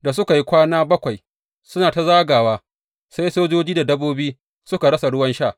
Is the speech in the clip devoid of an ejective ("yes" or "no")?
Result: yes